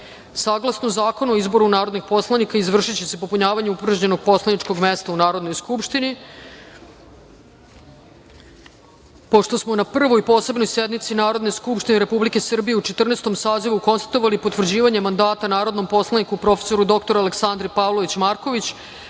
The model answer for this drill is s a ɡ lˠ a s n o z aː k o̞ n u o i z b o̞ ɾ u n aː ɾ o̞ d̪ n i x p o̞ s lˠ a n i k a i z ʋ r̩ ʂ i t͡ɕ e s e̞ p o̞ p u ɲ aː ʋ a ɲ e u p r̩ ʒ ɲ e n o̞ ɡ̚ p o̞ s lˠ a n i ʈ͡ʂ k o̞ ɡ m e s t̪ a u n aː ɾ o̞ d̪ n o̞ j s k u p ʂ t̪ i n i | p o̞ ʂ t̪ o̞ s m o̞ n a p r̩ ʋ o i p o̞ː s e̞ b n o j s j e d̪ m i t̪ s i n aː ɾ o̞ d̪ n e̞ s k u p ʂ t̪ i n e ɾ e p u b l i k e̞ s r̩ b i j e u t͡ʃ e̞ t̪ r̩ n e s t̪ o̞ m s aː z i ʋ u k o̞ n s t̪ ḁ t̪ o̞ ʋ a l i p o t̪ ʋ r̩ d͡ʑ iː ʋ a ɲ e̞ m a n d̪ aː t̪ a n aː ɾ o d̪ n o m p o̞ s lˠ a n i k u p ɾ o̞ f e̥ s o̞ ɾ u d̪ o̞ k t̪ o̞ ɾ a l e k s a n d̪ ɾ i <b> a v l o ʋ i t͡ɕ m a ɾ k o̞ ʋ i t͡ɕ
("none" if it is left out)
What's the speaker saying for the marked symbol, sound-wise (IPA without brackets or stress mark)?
p